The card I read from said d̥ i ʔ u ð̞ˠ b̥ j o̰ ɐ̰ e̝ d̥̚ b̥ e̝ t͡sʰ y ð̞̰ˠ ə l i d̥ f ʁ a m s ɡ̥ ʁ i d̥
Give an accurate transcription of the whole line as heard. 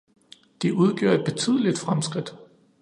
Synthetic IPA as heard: d̥ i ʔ u ð̞ˠ ɡ̥ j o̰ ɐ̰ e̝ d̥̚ b̥ e̝ t͡sʰ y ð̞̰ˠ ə l i d̥ f ʁ a m s ɡ̥ ʁ i d̥

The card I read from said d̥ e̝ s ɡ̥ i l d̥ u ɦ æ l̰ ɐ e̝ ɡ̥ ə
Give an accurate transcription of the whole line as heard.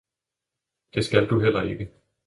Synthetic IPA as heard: d̥ e̝ s ɡ̥ æ l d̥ u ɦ e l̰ ɐ e̝ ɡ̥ ə

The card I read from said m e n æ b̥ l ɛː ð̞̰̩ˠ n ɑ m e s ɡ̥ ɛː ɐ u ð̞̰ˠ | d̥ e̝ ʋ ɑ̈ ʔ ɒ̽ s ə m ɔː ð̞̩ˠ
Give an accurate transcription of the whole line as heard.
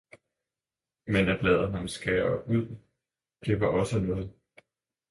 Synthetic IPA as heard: m e n æ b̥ l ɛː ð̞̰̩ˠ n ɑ m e s ɡ̥ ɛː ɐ u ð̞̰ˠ | d̥ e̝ ʋ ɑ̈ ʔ ɒ̽ s ə n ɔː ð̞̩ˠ

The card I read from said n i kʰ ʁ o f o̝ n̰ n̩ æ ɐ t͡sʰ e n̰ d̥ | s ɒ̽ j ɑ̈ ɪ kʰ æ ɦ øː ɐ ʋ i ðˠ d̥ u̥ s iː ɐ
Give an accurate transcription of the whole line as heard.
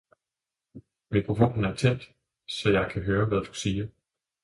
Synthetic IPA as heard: m i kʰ ʁ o f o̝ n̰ n̩ æ ɐ t͡sʰ e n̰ d̥ | s ɒ̽ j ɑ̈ ɪ kʰ æ ɦ øː ɐ ʋ æ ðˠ d̥ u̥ s iː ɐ

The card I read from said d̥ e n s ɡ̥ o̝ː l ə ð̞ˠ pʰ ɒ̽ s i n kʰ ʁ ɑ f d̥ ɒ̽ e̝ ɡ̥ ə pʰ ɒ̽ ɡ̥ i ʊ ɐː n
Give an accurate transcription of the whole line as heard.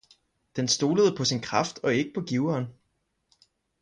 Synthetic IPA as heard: d̥ e n s d̥ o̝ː l ə ð̞ˠ pʰ ɒ̽ s i n kʰ ʁ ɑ f d̥ ɒ̽ e̝ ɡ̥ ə pʰ ɒ̽ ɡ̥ i ʊ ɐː n

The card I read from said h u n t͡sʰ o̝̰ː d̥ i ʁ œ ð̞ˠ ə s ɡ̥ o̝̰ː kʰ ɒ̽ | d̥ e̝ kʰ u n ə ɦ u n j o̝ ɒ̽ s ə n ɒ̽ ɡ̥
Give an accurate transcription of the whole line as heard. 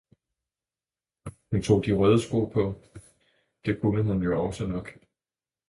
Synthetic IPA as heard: h u n t͡sʰ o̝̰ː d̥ i ʁ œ ð̞ˠ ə s ɡ̥ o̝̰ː pʰ ɒ̽ | d̥ e̝ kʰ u n ə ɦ u n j o̝ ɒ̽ s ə n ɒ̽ ɡ̥

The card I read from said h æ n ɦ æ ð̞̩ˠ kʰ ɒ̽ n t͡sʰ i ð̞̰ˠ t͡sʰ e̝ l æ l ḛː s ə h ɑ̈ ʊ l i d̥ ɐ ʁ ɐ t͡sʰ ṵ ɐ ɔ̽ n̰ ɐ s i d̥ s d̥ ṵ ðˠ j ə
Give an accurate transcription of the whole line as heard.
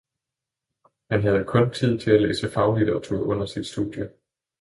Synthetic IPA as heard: h æ n ɦ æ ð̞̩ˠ kʰ ɔ̽ n t͡sʰ i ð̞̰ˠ t͡sʰ e̝ l æ l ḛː s ə f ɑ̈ ʊ l i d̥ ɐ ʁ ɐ t͡sʰ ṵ ɐ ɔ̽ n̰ ɐ s i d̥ s d̥ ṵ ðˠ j ə

